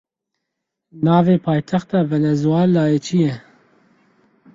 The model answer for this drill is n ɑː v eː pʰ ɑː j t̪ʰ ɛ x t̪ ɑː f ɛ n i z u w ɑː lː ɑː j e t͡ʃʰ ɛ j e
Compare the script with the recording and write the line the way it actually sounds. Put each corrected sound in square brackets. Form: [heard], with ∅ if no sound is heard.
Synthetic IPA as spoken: n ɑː v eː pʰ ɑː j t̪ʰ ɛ x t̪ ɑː [v] ɛ n [ɛ] z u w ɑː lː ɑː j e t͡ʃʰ [i] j [ɛ]